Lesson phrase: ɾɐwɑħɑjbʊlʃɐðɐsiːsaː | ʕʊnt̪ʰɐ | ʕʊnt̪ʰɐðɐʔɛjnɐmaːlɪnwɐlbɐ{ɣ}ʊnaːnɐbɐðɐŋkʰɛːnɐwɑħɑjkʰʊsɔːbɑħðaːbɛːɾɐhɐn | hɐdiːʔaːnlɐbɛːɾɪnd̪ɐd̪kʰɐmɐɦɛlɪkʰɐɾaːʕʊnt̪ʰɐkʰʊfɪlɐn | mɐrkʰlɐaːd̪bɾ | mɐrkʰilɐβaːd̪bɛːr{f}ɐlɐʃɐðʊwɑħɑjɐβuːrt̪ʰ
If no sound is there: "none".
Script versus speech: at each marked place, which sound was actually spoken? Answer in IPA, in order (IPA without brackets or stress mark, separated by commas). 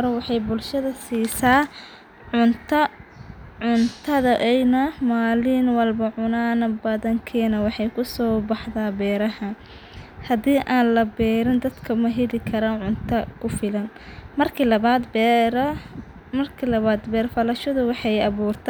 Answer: ʕ, f